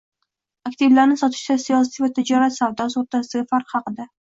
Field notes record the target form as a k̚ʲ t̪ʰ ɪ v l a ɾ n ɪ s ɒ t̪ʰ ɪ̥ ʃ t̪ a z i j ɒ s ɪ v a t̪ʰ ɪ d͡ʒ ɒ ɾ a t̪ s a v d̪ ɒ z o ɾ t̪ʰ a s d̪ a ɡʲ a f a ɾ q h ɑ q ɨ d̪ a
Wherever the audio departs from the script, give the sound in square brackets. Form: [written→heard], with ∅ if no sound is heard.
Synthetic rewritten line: a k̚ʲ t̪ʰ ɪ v l a ɾ n ɪ s ɒ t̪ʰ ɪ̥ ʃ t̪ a [z→s] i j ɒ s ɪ v a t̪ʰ ɪ d͡ʒ ɒ ɾ a t̪ s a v d̪ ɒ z o ɾ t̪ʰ a s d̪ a ɡʲ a f a ɾ q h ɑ q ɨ d̪ a